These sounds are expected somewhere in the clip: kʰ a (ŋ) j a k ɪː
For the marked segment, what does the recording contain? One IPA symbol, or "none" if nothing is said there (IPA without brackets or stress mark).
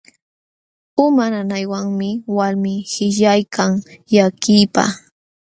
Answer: ŋ